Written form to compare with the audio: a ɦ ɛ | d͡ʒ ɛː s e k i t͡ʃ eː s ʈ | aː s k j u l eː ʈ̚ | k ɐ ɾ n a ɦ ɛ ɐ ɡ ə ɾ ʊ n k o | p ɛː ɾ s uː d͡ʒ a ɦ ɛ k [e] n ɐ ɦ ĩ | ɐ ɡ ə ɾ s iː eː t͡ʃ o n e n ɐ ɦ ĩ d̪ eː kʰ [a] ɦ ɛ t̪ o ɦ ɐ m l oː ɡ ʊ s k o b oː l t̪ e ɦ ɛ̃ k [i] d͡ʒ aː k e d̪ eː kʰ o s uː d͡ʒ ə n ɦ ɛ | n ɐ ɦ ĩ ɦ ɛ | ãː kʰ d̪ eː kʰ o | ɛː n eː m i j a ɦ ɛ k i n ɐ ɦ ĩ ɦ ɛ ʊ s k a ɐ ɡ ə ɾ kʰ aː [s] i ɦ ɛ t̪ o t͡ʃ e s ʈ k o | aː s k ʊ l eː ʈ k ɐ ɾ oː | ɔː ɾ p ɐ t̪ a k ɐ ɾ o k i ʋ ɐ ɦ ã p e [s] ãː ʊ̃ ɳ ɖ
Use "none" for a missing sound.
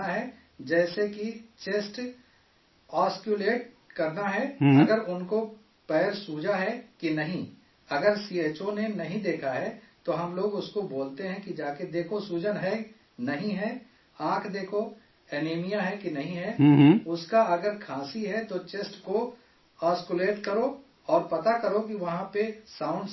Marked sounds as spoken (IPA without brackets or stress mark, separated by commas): i, a, i, s, s